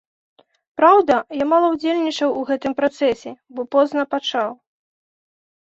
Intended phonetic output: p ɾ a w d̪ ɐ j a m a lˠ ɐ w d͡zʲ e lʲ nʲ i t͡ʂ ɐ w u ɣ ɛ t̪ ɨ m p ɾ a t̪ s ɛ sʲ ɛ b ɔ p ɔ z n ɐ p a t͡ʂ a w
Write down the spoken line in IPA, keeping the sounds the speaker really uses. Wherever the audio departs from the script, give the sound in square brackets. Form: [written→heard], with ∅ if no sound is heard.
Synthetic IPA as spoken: p ɾ a w d̪ ɐ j a m a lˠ ɐ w d͡zʲ e lʲ nʲ i t͡ʂ ɐ w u ɣ ɛ t̪ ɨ m p ɾ a t̪ s ɛ sʲ ɛ b ɔ p ɔ z n ɐ p a t͡ʂ a w